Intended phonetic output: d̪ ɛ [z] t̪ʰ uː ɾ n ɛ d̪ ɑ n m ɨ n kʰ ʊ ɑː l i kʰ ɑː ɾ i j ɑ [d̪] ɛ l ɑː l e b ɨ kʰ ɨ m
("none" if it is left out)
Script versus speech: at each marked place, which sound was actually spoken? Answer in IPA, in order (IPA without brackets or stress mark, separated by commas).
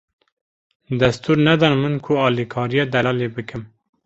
s, d̪